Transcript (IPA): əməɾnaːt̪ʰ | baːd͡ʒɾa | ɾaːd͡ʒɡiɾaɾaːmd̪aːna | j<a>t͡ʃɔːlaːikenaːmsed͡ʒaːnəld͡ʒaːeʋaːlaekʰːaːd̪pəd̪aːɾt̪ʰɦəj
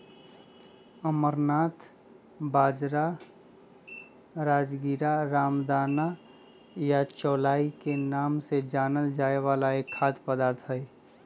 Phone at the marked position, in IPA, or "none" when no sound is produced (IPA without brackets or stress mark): a